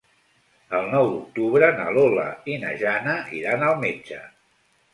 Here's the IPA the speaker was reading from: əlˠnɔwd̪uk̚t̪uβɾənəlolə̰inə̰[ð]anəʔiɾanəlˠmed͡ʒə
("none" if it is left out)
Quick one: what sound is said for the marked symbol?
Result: ʒ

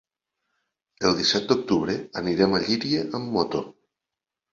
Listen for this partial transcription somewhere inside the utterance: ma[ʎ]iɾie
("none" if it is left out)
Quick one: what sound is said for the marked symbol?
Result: ʎ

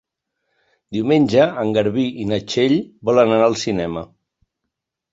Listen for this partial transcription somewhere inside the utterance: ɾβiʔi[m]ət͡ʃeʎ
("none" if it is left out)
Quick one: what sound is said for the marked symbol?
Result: n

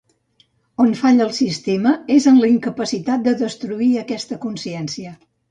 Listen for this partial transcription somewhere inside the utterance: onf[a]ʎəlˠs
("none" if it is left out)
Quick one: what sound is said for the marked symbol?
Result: a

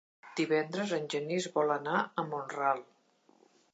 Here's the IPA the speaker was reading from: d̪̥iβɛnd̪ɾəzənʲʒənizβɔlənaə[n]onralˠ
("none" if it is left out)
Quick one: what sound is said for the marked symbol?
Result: m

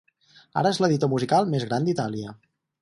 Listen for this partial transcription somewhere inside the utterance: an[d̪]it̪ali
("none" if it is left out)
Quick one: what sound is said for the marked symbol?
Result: d̪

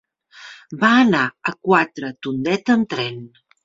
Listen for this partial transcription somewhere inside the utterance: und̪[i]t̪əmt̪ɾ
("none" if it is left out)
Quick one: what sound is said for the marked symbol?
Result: ɛ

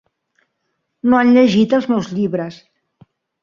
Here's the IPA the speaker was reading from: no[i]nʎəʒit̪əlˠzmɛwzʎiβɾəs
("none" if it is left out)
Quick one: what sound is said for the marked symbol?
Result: a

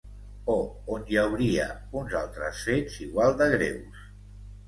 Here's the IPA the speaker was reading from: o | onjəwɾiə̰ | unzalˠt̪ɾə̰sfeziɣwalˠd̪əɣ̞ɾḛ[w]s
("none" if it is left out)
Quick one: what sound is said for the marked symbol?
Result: w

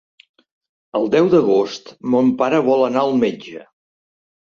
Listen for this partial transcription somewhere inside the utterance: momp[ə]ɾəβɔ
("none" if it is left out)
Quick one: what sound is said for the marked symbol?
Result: a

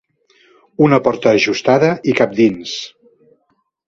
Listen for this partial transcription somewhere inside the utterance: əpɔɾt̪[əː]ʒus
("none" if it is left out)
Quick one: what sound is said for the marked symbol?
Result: əː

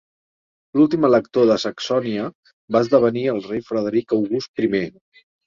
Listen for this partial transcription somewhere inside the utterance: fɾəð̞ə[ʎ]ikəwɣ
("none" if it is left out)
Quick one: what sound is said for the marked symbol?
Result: ɾ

